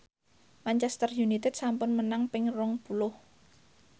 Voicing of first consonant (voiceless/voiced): voiced